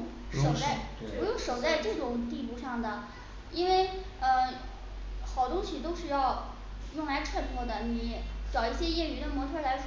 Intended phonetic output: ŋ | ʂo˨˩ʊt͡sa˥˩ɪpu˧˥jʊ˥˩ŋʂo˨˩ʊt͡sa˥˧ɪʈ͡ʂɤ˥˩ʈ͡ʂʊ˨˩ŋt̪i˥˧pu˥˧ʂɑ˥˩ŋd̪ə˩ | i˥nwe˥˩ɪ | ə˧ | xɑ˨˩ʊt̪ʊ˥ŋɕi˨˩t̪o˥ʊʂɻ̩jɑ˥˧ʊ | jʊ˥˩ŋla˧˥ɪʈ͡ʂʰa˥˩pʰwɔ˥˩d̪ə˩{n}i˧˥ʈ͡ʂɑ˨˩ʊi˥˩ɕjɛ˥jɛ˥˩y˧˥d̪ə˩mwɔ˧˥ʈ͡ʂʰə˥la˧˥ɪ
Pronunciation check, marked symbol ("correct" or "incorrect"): correct